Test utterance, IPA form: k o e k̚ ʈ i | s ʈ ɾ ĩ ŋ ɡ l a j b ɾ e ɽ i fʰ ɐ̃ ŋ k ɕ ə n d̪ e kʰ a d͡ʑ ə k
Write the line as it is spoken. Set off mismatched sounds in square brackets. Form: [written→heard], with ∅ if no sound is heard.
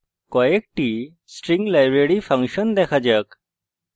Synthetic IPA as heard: k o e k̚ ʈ i | s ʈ ɾ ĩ ŋ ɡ l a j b ɾ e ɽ i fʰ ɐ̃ ŋ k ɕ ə n d̪ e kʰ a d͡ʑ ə k